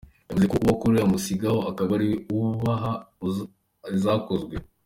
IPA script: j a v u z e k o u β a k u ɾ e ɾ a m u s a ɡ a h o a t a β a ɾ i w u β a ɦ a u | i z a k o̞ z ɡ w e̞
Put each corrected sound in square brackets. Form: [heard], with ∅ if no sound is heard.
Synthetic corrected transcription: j a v u z e k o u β a k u ɾ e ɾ a m u s [i] ɡ a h o a [k] a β a ɾ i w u β a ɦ a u | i z a k o̞ z ɡ w e̞